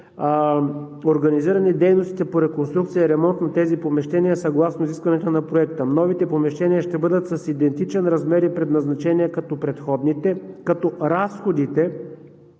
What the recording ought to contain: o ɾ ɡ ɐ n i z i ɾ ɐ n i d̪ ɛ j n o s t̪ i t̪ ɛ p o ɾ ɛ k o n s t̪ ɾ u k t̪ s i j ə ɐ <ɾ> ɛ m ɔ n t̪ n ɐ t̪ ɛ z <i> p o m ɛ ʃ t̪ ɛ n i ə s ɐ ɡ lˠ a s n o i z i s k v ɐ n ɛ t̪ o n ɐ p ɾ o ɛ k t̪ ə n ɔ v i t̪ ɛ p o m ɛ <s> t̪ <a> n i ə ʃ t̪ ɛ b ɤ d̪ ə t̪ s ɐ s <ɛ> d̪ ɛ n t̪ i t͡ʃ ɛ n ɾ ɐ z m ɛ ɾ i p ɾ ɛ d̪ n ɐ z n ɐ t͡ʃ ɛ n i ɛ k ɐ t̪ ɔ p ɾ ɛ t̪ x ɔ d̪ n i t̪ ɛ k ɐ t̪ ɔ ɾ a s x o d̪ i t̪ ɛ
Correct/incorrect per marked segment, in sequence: correct, correct, incorrect: ʃ, incorrect: ɛ, incorrect: i

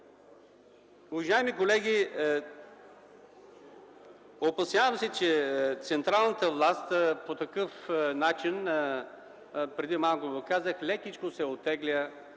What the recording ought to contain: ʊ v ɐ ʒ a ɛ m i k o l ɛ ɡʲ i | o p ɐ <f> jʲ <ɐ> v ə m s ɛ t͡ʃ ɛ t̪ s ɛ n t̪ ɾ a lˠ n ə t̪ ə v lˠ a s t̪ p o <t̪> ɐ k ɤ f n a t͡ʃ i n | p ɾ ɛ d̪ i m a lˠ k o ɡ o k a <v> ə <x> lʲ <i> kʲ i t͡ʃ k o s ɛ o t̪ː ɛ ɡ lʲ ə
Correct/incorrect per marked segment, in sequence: incorrect: s, incorrect: a, correct, incorrect: z, correct, incorrect: ɛ

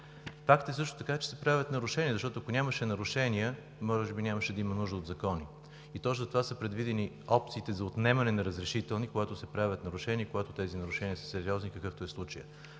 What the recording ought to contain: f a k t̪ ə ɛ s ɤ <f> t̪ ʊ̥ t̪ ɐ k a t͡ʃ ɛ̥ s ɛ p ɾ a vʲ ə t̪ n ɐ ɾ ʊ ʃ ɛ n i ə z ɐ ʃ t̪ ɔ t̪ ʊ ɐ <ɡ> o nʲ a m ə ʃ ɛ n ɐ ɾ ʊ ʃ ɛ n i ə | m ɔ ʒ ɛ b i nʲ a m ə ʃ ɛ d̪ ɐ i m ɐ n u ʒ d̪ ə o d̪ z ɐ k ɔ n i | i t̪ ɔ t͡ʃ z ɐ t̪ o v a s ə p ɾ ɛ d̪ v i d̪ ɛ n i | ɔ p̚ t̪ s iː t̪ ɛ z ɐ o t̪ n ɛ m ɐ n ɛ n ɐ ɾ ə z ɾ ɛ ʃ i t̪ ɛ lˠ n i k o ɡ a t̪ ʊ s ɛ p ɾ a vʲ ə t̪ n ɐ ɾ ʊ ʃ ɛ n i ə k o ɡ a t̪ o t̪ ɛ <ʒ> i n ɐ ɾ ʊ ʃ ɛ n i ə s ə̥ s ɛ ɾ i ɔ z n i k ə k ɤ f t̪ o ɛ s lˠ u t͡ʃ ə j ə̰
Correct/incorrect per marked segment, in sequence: incorrect: ʃ, incorrect: k, incorrect: z

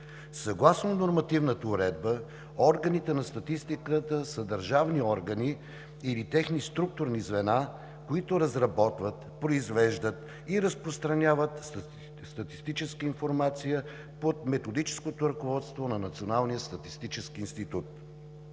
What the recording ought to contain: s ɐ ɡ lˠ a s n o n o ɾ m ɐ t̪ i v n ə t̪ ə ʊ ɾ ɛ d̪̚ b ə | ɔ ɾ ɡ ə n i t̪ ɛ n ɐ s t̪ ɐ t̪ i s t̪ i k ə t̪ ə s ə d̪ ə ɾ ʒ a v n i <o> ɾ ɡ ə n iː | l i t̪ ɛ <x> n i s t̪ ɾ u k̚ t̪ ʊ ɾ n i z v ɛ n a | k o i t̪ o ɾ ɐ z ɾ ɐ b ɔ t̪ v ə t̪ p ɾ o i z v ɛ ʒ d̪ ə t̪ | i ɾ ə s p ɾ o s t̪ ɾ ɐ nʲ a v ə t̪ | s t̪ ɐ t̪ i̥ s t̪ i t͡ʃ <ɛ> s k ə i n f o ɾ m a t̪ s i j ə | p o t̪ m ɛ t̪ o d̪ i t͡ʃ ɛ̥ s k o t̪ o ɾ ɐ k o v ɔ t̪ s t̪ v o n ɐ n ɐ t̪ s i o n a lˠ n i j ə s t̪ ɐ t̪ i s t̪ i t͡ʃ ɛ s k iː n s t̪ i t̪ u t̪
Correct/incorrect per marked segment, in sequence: incorrect: ɔ, correct, correct

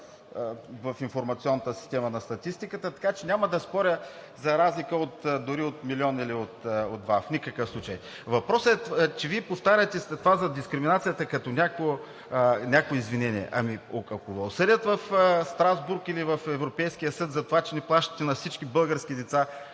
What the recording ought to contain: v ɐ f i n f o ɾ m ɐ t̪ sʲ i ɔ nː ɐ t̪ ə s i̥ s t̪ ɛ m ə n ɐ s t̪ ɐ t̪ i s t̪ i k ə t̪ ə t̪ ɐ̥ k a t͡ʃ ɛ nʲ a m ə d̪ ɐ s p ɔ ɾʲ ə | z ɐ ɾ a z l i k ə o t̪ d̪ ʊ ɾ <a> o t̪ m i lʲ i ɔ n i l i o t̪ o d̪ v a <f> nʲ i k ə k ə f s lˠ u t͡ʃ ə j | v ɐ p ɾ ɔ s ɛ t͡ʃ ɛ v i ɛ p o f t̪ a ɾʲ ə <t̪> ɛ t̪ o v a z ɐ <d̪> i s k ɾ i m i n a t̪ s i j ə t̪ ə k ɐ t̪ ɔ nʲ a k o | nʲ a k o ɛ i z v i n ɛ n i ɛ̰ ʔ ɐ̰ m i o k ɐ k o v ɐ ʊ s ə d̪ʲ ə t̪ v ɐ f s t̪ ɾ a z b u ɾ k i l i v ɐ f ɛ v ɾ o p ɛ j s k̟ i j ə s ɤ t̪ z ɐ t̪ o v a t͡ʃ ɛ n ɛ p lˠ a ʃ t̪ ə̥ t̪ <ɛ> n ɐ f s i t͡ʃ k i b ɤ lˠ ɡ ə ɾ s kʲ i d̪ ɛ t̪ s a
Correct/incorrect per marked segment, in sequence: incorrect: i, correct, correct, correct, correct

